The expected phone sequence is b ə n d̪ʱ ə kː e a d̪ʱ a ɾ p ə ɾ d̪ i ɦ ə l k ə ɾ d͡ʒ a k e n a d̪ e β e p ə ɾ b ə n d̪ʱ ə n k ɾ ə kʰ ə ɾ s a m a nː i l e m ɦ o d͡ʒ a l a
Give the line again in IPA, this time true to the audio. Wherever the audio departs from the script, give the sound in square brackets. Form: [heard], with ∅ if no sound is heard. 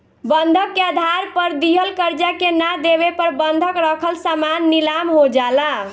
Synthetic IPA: b ə n d̪ʱ ə kː e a d̪ʱ a ɾ p ə ɾ d̪ i ɦ ə l k ə ɾ d͡ʒ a k e n a d̪ e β e p ə ɾ b ə n d̪ʱ ə [∅] k ɾ ə kʰ ə [l] s a m a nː i l [a] m ɦ o d͡ʒ a l a